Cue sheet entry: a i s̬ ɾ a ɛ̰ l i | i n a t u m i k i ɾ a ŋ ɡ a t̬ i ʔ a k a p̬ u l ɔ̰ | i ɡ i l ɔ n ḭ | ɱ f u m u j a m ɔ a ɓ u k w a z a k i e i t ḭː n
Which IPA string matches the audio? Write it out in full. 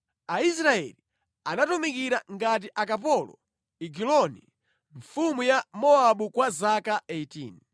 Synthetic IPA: a i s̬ ɾ a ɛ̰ l i | a n a t u m i k i ɾ a ŋ ɡ a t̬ i ʔ a k a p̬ ɔ l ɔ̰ | i ɡ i l ɔ n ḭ | ɱ f u m u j a m ɔ a ɓ u k w a z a k a e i t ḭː n